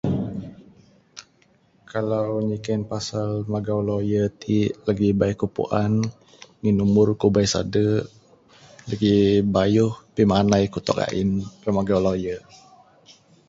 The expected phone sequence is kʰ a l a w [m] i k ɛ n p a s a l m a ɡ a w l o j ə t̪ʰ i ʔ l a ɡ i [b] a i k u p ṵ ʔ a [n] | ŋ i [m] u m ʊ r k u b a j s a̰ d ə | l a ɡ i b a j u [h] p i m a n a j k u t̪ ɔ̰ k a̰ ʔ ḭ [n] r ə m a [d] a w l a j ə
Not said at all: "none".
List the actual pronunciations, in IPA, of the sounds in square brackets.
ɲ, b, n, n, h, n, ɡ

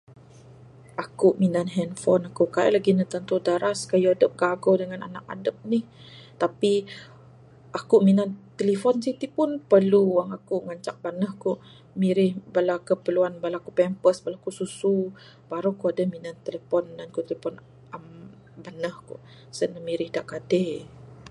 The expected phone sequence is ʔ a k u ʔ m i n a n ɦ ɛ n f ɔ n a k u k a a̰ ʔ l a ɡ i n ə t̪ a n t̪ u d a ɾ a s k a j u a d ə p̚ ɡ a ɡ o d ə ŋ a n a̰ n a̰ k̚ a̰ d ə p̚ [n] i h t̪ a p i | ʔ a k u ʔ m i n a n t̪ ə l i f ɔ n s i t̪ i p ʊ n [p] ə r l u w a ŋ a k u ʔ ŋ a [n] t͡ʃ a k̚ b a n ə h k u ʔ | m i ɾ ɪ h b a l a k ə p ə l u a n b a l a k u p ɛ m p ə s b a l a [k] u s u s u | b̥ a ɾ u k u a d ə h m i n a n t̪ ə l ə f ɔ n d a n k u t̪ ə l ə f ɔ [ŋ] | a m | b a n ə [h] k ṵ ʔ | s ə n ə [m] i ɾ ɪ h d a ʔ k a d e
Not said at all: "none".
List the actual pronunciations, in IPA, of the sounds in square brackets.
n, p, ɲ, k, n, h, m

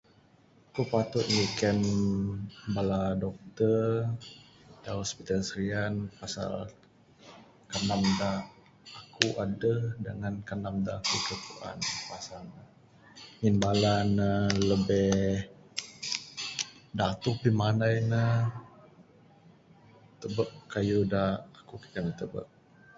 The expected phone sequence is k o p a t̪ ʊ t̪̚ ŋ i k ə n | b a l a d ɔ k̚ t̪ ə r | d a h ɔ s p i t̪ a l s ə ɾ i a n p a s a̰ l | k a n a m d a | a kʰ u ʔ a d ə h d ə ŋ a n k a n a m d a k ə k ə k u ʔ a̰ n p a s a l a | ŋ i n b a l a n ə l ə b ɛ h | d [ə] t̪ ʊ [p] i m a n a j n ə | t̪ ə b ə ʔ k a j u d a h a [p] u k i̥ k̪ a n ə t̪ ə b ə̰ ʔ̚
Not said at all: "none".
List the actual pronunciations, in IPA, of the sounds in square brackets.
a, p, k

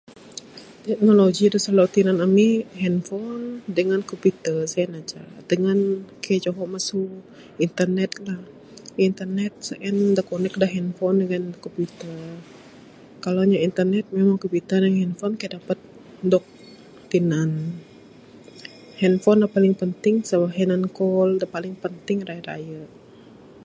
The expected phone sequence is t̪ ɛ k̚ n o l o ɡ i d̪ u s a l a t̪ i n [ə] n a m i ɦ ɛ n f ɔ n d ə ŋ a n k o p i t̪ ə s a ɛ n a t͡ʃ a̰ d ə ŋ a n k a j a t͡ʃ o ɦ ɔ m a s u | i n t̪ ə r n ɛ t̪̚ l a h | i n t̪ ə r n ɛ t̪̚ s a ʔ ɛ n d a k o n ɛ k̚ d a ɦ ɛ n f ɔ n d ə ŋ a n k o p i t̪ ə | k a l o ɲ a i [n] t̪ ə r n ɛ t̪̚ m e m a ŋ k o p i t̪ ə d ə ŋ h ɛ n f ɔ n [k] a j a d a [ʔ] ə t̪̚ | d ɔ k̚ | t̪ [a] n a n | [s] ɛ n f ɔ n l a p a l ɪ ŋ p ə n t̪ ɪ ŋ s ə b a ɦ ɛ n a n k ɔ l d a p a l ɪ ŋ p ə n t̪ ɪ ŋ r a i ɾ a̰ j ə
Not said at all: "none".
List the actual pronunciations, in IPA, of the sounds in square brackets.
a, n, k, p, i, h

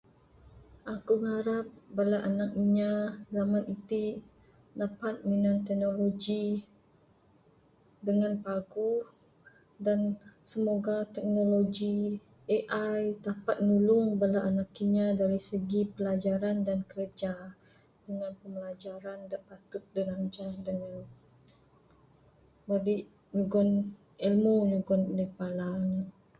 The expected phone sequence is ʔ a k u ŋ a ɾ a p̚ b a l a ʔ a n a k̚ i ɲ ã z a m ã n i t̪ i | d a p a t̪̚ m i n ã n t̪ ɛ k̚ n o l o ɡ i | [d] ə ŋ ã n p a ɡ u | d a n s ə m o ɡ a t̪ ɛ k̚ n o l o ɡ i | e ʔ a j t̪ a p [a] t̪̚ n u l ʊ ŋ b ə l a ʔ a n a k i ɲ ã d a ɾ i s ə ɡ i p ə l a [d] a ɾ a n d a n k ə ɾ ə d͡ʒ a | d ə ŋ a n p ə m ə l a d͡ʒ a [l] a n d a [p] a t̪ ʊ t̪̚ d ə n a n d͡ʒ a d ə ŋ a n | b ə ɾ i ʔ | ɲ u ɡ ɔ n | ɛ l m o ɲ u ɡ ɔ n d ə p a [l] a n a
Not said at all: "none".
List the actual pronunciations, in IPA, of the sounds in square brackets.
d, a, d͡ʒ, ɾ, p, l

